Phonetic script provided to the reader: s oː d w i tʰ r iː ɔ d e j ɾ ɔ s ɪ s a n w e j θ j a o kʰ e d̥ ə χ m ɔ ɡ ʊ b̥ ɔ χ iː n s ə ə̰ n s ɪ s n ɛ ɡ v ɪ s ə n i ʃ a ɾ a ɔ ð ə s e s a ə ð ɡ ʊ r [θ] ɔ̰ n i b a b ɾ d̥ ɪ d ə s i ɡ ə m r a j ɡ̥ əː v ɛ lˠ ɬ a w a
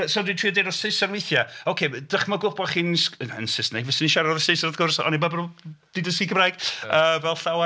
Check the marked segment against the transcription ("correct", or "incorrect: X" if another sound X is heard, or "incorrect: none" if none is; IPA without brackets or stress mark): incorrect: s